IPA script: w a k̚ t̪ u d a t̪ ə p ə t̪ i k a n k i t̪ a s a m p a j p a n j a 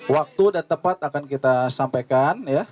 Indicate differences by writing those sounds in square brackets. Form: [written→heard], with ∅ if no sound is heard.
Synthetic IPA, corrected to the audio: w a k̚ t̪ u d a t̪ ə p [ə→a] t̪ [i→a] k a n k i t̪ a s a m p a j [p→k] a n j a